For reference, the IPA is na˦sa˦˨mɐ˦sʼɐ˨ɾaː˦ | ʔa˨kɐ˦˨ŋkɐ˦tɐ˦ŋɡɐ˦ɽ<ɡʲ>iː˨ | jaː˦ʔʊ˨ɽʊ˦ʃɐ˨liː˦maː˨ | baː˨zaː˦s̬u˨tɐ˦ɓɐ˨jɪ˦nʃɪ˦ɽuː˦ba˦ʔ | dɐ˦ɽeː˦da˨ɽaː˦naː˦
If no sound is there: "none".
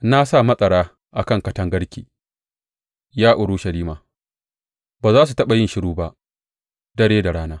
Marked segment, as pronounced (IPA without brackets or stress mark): kʲ